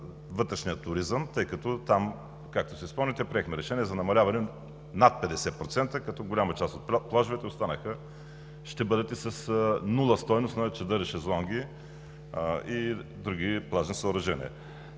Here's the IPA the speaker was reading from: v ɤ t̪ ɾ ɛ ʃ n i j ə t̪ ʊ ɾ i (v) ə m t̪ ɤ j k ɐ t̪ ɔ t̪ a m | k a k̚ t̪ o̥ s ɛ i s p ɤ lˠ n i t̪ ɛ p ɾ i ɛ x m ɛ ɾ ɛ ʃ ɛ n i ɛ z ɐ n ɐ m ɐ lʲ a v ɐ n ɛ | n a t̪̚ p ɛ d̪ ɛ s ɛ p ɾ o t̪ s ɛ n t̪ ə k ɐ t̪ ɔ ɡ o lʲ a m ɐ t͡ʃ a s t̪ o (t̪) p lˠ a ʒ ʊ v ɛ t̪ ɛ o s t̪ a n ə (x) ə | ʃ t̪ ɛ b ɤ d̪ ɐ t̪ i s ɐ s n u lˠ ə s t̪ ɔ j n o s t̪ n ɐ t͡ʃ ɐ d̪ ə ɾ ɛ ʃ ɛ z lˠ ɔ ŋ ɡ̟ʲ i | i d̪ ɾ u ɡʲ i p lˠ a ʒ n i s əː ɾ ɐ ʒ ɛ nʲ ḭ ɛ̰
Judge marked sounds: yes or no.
no, yes, yes

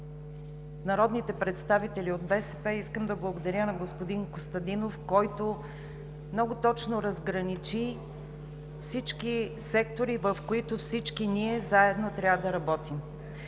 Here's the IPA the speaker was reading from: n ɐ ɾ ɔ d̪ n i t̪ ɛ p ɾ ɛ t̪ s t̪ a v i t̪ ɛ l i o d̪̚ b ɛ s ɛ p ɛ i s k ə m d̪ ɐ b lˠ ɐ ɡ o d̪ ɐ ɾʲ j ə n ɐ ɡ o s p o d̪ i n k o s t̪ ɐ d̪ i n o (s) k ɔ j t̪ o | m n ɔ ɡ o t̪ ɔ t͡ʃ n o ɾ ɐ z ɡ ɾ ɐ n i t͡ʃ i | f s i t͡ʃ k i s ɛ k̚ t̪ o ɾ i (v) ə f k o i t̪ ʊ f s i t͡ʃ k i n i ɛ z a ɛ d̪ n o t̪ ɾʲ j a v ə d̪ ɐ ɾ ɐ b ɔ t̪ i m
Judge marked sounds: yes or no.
no, yes

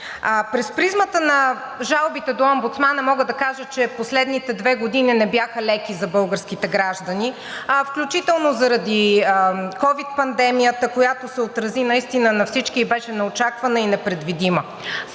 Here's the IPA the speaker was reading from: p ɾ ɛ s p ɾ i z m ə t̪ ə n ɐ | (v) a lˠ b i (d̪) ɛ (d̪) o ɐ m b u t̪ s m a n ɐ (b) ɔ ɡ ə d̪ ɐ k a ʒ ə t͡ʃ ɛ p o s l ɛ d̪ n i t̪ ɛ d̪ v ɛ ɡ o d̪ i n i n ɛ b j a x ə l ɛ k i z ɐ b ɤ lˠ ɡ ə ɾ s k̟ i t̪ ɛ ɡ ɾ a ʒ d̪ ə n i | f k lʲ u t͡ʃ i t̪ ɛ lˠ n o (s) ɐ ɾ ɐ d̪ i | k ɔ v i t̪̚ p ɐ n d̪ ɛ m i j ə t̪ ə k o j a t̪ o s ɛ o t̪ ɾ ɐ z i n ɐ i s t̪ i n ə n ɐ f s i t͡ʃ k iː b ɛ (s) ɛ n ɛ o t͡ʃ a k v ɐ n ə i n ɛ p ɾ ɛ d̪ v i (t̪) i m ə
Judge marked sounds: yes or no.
no, no, yes, no, no, no, no

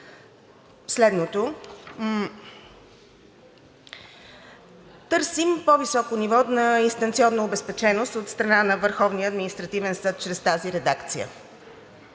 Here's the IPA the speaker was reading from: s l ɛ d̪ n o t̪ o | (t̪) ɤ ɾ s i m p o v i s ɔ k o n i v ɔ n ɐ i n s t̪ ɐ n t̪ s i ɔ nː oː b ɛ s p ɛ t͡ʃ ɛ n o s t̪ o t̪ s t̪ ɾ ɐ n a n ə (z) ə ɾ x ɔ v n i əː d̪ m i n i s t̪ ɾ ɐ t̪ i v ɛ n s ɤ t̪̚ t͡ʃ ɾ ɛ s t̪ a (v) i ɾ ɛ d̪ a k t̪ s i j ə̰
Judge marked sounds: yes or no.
yes, no, no

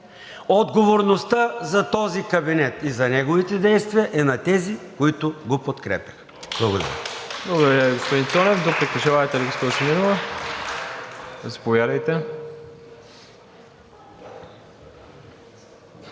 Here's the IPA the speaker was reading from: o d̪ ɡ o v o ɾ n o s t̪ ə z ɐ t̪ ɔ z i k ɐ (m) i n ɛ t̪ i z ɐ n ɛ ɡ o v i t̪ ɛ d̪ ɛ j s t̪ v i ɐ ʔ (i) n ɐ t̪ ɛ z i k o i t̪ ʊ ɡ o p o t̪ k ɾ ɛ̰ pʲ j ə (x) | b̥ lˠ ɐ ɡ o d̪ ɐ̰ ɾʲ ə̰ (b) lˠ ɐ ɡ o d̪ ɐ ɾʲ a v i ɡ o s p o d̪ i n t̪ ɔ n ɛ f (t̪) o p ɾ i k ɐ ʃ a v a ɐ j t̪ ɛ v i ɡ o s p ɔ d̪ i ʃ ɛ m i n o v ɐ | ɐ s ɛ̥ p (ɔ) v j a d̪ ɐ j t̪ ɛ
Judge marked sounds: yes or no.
no, no, yes, yes, no, no

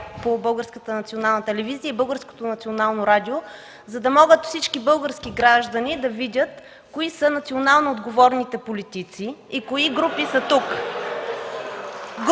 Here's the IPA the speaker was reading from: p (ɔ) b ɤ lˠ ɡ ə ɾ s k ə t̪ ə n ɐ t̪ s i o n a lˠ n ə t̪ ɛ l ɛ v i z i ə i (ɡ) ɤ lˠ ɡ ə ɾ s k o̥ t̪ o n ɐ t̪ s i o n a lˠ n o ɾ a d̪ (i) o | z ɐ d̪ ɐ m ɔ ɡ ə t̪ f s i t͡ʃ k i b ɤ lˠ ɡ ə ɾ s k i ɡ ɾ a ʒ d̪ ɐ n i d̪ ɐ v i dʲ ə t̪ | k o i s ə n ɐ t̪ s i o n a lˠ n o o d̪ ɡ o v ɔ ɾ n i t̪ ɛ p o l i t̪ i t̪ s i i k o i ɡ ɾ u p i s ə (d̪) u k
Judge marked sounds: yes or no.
no, no, yes, no

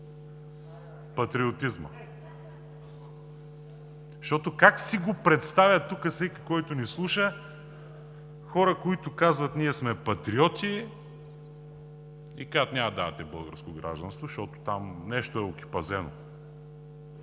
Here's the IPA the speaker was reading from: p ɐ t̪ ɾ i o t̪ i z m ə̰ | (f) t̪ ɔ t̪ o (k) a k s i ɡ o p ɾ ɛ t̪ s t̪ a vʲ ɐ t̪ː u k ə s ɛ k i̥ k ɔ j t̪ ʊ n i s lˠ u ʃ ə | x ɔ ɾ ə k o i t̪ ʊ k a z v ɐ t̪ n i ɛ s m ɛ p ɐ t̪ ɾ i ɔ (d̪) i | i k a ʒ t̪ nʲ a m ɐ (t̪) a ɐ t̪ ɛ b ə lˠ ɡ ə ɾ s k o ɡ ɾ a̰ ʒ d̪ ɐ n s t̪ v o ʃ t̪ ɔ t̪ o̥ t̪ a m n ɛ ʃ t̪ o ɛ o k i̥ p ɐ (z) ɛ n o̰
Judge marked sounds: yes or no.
no, yes, no, no, yes

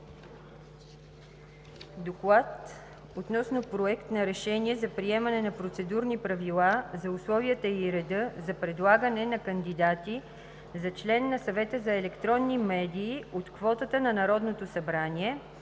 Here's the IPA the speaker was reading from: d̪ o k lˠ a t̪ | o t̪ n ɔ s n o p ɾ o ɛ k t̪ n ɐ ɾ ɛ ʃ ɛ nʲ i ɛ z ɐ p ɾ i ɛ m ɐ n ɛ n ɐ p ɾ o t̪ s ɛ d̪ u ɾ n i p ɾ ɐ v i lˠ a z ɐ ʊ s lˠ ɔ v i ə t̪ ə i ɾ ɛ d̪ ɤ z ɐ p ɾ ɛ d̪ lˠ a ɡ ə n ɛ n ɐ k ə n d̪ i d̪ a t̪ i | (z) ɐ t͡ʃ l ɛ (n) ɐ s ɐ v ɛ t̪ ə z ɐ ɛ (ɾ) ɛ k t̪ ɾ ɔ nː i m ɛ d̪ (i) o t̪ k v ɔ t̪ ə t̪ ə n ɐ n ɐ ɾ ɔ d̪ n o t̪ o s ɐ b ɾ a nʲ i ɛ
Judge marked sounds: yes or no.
yes, no, no, no

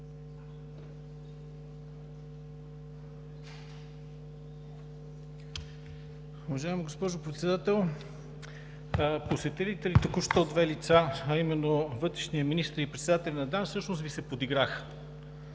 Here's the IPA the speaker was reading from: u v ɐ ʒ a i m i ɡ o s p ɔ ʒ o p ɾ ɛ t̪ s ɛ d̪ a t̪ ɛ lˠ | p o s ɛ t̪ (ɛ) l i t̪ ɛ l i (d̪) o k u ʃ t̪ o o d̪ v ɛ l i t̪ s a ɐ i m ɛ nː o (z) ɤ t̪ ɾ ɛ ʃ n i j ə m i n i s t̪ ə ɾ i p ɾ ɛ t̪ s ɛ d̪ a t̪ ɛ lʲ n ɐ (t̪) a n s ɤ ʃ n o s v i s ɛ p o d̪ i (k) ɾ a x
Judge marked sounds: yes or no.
yes, no, no, no, no

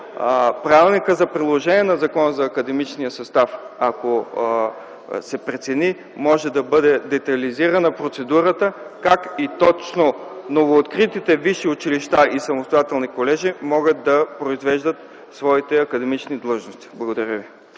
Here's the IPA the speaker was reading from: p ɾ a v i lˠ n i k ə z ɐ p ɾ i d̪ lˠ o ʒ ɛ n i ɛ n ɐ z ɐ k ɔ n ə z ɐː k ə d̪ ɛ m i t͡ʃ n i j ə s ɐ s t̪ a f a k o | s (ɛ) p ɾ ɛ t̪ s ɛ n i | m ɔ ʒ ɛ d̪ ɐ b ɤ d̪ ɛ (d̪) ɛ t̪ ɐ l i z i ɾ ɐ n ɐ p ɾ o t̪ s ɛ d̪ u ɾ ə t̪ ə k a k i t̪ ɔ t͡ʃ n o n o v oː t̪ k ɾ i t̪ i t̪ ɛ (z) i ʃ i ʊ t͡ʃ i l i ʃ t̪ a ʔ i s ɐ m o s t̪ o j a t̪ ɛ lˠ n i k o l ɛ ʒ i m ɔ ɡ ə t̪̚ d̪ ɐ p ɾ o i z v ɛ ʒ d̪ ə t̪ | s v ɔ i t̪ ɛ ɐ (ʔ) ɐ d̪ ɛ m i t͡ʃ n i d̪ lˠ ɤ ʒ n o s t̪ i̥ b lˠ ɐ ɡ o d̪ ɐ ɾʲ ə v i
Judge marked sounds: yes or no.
yes, yes, no, no

